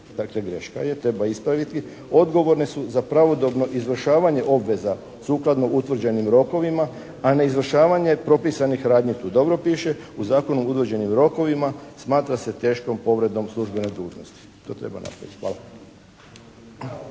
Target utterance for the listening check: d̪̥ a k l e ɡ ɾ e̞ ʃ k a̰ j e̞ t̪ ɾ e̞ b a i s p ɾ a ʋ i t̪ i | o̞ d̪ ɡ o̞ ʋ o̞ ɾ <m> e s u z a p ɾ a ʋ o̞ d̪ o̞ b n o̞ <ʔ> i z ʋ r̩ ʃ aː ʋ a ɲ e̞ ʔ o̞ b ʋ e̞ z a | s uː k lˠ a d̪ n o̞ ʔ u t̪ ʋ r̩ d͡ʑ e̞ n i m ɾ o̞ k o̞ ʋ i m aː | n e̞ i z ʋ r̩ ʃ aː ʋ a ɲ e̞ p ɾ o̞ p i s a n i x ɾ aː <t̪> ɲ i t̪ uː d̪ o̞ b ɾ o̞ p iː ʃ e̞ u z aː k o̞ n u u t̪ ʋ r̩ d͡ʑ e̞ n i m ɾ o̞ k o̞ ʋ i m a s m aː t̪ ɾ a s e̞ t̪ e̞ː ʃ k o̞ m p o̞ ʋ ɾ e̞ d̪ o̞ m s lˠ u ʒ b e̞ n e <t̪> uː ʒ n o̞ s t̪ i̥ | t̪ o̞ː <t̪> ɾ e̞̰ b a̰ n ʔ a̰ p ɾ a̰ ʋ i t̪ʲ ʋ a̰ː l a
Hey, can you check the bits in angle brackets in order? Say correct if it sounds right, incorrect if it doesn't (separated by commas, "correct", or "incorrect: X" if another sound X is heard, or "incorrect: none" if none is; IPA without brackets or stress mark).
incorrect: n, correct, incorrect: d̪, incorrect: d̪, correct